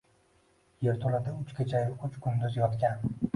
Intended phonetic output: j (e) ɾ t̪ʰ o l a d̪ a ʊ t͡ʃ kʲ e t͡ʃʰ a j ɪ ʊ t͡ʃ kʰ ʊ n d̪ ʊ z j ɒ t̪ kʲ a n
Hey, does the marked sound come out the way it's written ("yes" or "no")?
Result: yes